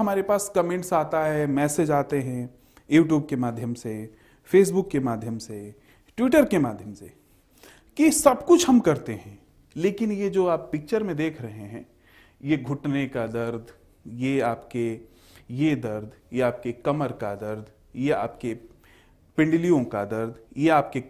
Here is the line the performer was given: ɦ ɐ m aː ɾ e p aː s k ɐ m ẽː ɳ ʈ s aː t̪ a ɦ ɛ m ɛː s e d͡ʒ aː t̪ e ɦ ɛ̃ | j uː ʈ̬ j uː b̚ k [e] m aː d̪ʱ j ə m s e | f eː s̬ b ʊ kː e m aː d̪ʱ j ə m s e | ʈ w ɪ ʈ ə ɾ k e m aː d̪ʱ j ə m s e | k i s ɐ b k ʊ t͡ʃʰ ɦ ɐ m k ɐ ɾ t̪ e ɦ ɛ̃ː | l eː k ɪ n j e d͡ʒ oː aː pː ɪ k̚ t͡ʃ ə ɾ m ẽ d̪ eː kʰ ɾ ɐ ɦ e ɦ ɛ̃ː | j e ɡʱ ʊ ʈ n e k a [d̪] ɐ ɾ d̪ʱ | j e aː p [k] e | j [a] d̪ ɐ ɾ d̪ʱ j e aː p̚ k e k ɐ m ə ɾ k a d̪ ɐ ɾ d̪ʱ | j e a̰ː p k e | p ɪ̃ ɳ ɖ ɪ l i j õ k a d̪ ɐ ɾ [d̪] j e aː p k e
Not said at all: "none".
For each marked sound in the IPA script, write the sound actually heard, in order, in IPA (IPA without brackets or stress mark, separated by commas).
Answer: e, d̪, k, e, d̪